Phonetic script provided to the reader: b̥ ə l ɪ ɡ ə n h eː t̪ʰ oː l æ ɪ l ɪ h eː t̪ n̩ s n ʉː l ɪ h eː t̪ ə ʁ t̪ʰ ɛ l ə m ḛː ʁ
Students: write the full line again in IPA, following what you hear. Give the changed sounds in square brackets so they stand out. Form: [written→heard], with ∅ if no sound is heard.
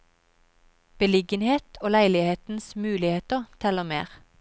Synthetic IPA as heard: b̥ ə l ɪ ɡ ə n h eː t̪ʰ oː l æ ɪ l ɪ h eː t̪ n̩ s [n→m] ʉː l ɪ h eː t̪ ə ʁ t̪ʰ ɛ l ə m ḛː ʁ

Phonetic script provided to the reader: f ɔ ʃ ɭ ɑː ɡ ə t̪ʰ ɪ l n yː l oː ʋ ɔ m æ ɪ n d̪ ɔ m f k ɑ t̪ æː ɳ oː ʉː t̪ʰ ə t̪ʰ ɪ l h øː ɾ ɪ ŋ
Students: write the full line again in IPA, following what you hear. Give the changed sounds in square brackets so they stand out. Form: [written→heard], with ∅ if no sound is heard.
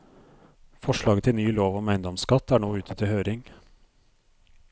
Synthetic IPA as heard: f ɔ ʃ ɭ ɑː ɡ ə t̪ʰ ɪ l n yː l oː ʋ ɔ m æ ɪ n d̪ ɔ m [f→s] k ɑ t̪ æː ɳ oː ʉː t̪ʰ ə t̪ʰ ɪ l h øː ɾ ɪ ŋ

